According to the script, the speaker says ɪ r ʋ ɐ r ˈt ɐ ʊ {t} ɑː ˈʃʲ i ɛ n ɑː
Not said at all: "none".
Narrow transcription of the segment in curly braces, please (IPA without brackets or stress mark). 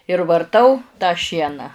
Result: t